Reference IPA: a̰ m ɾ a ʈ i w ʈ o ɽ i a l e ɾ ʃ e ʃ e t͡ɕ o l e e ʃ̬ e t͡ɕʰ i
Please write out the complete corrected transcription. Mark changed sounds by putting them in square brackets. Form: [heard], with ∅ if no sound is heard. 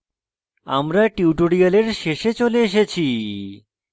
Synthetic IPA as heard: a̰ m ɾ a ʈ i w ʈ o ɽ i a l e ɾ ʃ e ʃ e t͡ɕ o l e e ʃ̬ e t͡ɕʰ i

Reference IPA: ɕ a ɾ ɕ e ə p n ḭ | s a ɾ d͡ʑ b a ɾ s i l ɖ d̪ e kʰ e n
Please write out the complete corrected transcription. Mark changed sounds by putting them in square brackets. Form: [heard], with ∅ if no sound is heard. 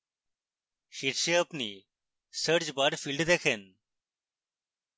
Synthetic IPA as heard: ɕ [i] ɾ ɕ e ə p n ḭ | s [ə] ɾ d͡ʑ b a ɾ [f] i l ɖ d̪ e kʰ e n

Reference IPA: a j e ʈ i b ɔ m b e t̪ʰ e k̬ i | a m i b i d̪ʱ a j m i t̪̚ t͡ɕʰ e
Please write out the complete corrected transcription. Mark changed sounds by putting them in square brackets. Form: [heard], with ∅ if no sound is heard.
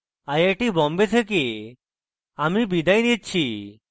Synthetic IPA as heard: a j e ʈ i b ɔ m b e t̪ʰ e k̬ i | a m i b i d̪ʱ a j [n] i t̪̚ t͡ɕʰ [i]

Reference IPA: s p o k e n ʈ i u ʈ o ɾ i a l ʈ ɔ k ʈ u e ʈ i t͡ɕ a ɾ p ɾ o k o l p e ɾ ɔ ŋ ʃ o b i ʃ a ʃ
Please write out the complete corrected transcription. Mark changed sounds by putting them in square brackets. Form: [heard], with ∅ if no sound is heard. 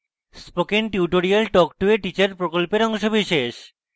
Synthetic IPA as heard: s p o k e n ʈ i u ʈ o ɾ i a l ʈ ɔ k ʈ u e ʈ i t͡ɕ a ɾ p ɾ o k o l p e ɾ ɔ ŋ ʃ o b i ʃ [e] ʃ

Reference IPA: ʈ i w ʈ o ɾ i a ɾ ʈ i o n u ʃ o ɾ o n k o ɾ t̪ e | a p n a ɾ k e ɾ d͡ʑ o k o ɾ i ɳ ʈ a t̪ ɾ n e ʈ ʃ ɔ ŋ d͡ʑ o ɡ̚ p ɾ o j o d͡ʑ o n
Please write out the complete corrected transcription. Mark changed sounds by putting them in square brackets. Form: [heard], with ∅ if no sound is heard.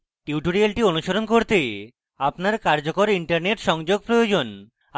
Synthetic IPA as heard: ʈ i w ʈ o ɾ i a [l] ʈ i o n u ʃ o ɾ o n k o ɾ t̪ e | a p n a ɾ k [a] ɾ d͡ʑ o k o ɾ i ɳ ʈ a [∅] ɾ n e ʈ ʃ ɔ ŋ d͡ʑ o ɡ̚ p ɾ o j o d͡ʑ o n

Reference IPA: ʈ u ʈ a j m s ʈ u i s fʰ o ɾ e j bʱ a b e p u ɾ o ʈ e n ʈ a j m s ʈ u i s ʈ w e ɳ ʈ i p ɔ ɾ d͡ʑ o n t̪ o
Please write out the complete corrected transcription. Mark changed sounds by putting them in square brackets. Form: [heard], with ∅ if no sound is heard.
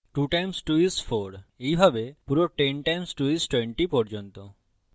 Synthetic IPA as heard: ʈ u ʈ a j m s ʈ u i s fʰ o ɾ e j bʱ a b e p u ɾ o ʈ e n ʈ a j m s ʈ u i s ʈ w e ɳ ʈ i p ɔ ɾ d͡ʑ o n t̪ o

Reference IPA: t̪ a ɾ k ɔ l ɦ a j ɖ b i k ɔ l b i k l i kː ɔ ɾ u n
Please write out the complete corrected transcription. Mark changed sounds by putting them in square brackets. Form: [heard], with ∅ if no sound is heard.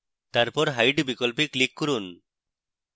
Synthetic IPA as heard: t̪ a ɾ [p] ɔ [ɾ] ɦ a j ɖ b i k ɔ l [p] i k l i kː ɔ ɾ u n

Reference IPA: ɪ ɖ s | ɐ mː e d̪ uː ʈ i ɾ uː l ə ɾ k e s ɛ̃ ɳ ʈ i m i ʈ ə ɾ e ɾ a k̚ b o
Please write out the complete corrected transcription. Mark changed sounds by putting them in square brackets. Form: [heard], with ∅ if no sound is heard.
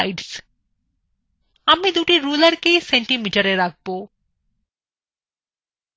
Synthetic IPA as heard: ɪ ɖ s | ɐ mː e d̪ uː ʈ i ɾ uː l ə ɾ k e s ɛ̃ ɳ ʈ i m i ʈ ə ɾ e ɾ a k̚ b o

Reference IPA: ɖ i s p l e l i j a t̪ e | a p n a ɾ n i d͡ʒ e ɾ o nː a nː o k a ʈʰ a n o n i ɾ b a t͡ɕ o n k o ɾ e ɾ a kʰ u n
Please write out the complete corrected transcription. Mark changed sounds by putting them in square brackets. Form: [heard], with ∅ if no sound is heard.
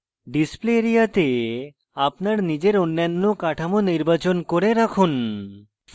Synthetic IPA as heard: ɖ i s p l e [ɾ] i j a t̪ e | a p n a ɾ n i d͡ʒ e ɾ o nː a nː o k a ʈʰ a [m] o n i ɾ b a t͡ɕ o n k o ɾ e ɾ a kʰ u n

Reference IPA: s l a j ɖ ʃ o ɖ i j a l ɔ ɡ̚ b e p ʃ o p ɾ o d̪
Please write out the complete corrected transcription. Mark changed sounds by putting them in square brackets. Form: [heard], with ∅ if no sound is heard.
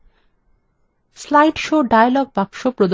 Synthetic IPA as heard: s l a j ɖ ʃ o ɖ [a] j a l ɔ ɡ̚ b [a] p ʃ o p ɾ o d̪

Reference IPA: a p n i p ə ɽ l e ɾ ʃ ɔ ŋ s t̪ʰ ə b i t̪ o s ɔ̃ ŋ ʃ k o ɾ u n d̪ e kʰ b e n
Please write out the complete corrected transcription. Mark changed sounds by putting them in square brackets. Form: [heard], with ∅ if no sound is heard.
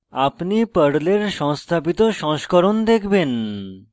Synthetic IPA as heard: a p n i p ə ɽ l e ɾ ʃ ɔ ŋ s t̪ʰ [a] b i t̪ o [ʃ] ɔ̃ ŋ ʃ k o ɾ [o] n d̪ e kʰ b e n

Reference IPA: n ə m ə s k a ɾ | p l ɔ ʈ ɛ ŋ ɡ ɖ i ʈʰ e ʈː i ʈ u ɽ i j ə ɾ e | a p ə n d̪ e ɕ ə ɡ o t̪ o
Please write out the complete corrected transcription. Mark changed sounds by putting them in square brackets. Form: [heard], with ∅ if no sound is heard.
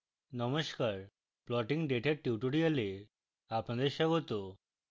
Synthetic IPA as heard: n ə m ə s k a ɾ | p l ɔ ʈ [i] ŋ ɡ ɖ [e] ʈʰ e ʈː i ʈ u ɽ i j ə [l] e | a p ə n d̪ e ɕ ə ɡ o t̪ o

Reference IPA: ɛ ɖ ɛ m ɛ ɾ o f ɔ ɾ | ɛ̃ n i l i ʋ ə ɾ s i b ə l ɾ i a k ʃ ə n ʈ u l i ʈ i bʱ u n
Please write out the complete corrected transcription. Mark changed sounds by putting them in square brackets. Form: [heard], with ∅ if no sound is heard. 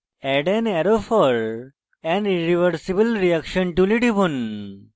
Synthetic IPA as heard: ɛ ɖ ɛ [n] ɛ ɾ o f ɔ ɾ | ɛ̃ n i [ɾ] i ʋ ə ɾ s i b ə l ɾ i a k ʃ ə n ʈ u l i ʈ i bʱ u n

